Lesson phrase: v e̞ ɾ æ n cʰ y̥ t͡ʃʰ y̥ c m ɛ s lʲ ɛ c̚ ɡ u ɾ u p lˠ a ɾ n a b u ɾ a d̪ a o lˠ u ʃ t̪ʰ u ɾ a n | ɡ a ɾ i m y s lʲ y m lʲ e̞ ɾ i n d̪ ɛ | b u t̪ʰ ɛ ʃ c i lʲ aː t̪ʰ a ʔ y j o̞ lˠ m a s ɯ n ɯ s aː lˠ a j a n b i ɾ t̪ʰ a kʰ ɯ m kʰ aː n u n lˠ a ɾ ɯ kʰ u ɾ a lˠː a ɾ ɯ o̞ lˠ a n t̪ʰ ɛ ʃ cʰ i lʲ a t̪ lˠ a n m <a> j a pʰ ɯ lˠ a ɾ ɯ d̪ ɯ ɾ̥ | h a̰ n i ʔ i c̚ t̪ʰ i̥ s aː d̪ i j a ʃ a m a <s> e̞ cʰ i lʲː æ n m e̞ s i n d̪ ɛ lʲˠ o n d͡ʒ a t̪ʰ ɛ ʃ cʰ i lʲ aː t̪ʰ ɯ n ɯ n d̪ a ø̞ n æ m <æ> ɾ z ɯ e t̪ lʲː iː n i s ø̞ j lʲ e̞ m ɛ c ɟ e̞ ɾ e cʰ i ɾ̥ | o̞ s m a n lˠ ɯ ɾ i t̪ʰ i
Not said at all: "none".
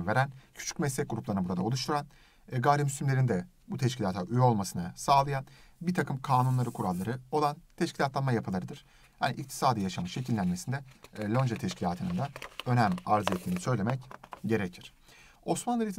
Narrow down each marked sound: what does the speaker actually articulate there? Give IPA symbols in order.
a, ʃ, a

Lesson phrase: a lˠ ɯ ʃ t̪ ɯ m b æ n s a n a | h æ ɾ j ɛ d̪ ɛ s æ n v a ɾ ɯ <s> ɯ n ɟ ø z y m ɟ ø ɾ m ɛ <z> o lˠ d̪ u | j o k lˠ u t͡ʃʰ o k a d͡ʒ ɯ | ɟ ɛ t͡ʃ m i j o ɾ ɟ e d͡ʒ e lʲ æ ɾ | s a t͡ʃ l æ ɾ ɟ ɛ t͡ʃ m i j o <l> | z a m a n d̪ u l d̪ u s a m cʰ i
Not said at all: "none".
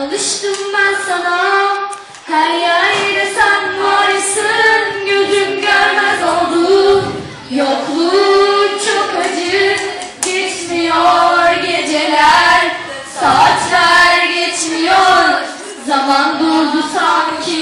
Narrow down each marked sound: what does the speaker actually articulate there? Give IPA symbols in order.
s, z, ɾ

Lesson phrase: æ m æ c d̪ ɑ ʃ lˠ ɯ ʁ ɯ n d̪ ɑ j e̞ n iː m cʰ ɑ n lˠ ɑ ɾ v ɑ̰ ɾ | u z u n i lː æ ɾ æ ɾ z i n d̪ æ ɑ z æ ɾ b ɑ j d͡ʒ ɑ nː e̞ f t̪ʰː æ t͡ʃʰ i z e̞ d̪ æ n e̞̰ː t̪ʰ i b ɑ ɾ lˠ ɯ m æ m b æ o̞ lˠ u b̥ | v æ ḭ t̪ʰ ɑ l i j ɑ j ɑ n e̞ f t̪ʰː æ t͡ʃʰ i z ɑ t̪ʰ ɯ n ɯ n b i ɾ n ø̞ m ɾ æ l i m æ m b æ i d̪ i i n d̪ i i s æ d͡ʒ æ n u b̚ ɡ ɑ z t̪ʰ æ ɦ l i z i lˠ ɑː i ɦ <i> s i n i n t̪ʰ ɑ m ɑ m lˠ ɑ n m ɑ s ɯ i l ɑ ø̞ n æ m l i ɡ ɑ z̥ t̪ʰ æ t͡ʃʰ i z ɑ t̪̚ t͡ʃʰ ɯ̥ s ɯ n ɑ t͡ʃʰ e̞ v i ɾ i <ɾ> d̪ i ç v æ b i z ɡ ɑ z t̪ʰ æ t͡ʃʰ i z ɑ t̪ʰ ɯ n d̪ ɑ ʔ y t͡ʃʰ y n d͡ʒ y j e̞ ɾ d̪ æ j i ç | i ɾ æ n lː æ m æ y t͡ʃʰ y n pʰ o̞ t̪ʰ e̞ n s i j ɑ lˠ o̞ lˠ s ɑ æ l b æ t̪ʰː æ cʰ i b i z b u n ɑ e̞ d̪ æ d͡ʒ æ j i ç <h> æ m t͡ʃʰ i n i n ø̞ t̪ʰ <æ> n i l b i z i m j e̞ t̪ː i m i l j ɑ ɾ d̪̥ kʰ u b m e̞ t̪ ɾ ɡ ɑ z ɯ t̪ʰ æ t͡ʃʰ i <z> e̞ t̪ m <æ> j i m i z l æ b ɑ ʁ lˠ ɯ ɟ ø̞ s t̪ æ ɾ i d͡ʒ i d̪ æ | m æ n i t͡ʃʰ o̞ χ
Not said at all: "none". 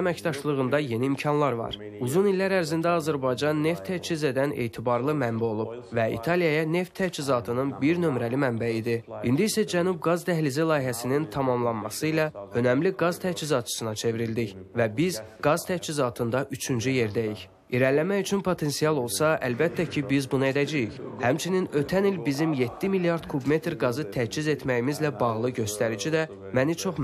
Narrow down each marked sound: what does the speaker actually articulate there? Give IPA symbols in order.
æ, l, h, æ, z, æ

